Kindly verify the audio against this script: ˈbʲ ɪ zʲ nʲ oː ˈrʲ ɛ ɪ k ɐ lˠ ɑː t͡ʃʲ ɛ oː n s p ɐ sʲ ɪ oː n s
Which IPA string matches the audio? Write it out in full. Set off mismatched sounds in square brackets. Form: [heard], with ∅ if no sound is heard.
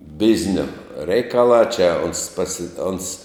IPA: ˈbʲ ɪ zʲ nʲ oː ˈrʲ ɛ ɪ k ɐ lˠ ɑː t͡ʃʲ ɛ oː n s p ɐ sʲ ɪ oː n s